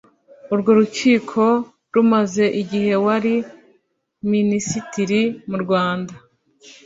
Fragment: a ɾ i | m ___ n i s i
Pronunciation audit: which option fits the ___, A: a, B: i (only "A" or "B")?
B